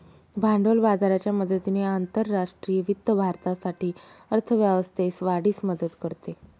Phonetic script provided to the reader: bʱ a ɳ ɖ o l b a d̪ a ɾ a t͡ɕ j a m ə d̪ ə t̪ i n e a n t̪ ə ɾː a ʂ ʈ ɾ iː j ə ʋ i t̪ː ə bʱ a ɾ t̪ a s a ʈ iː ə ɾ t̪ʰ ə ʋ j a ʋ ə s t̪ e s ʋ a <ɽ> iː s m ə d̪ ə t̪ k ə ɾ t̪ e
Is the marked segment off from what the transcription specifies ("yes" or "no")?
no